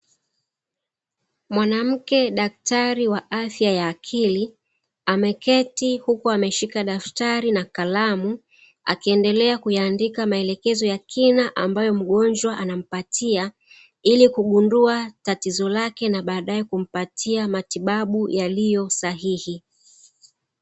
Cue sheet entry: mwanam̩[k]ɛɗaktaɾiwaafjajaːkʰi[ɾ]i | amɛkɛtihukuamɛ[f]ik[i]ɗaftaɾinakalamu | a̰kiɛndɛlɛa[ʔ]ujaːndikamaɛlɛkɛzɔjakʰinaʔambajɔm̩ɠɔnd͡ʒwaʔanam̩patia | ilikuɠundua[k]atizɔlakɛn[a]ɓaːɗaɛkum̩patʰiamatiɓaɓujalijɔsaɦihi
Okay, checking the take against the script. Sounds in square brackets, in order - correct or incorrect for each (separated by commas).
correct, incorrect, incorrect, incorrect, incorrect, incorrect, correct